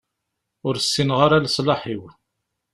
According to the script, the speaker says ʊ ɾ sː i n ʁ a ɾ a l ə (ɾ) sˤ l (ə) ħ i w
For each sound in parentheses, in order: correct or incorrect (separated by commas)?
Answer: incorrect, incorrect